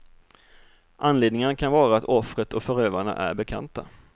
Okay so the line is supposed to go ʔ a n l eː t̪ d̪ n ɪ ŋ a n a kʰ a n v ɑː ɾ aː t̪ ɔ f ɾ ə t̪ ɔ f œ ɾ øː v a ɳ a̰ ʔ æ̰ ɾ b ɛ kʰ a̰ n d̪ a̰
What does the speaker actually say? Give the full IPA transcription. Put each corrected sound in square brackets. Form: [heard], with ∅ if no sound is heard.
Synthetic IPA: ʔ a n l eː [∅] d̪ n ɪ ŋ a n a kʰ a n v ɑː ɾ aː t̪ ɔ f ɾ ə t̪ ɔ f œ ɾ øː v a ɳ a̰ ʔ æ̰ ɾ b ɛ kʰ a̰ n [t̪] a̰